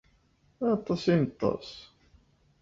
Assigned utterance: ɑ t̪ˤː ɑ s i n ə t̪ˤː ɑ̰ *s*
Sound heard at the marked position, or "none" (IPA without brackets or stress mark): s